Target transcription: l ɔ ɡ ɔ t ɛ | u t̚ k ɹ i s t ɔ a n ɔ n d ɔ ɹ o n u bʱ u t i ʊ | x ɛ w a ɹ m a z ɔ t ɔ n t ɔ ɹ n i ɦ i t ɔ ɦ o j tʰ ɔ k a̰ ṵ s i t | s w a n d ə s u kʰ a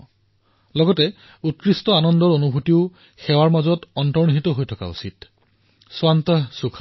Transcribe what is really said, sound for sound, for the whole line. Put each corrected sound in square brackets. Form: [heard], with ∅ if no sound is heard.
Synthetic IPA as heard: l ɔ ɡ ɔ t ɛ | u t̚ k ɹ i s t ɔ a n ɔ n d ɔ ɹ o n u bʱ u t i ʊ | x ɛ w a ɹ m a z ɔ t ɔ n t ɔ ɹ n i ɦ i t ɔ ɦ o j tʰ ɔ k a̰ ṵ s i t | s w a n [t] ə s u kʰ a